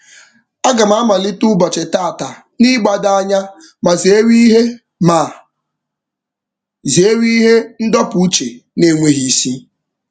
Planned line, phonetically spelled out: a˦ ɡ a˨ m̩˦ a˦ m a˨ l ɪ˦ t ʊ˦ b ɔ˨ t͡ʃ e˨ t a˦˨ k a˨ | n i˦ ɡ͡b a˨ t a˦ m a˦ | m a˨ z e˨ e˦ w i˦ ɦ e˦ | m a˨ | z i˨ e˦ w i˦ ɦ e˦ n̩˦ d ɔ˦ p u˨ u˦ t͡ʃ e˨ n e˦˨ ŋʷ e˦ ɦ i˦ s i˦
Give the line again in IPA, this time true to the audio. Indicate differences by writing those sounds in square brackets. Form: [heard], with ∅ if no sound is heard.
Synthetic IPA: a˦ ɡ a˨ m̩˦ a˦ m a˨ l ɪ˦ t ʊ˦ b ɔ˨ t͡ʃ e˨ t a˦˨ [t] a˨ | n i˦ ɡ͡b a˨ [d] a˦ [ɲ] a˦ | m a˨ z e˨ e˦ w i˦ ɦ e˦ | m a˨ | z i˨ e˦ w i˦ ɦ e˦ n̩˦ d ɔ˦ p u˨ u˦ t͡ʃ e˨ n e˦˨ ŋʷ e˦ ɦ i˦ s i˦